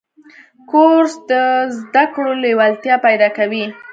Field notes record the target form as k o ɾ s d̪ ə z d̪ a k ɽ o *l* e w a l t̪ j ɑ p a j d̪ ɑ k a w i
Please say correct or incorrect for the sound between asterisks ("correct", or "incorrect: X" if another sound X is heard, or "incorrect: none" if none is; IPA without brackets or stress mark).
correct